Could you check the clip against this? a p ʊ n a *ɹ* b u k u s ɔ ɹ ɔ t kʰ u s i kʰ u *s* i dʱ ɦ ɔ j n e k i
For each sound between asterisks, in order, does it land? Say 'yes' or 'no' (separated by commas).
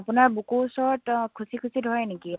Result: yes, yes